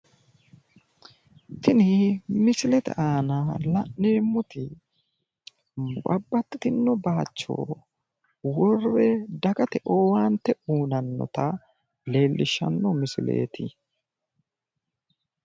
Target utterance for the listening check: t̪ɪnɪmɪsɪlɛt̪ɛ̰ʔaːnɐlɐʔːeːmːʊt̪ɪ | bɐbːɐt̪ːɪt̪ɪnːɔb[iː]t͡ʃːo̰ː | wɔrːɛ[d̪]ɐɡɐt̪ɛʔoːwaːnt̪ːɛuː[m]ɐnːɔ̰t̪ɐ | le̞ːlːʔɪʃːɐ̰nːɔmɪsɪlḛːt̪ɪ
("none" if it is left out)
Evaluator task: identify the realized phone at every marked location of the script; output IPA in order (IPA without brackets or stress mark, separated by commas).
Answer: aː, d̪, n